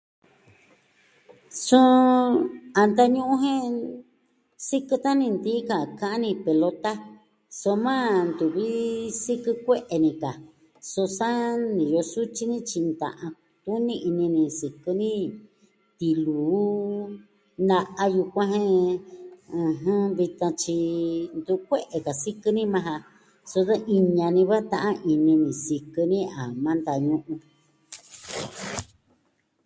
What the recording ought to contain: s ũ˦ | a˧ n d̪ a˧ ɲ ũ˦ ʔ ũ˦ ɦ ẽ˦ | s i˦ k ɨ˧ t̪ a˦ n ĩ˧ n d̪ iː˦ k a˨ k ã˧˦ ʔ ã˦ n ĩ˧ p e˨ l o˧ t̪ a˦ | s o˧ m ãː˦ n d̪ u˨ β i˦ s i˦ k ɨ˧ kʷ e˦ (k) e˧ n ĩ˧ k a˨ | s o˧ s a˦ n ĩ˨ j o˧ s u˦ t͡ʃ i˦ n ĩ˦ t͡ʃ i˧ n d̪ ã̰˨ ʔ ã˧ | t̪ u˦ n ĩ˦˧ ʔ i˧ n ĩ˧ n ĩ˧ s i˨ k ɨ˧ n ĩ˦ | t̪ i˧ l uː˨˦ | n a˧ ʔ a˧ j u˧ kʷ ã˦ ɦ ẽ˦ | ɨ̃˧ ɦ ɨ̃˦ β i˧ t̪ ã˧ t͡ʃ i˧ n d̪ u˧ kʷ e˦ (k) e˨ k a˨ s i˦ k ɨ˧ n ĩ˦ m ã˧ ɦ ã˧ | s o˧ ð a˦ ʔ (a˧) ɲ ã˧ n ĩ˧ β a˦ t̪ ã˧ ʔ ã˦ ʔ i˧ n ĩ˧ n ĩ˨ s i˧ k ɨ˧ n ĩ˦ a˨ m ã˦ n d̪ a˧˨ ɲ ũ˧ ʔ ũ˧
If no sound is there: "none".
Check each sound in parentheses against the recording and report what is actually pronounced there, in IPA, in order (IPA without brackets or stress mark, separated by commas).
ʔ, ʔ, i˧